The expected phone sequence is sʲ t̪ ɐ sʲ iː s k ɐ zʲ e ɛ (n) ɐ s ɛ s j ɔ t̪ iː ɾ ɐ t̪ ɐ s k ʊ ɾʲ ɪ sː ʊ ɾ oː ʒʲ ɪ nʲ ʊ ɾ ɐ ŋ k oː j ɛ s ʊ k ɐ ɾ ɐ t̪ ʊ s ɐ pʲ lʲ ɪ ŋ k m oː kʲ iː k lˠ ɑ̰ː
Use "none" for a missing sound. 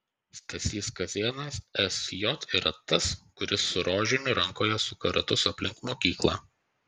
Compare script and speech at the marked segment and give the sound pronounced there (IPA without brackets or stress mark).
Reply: n